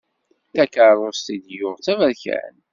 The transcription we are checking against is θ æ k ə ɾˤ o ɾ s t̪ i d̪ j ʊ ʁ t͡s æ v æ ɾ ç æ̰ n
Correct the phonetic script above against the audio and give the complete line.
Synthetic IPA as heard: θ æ k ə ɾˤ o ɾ s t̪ i d̪ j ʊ ʁ t͡s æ v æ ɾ ç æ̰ n